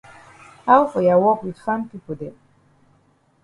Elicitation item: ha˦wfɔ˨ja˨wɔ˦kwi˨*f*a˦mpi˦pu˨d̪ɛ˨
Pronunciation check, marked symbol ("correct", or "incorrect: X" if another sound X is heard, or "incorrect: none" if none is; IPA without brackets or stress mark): correct